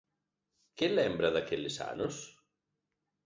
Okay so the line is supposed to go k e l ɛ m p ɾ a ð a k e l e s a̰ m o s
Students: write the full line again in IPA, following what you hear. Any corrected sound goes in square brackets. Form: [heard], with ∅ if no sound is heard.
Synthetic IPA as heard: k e l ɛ m [b] ɾ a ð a k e l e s a̰ [n] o s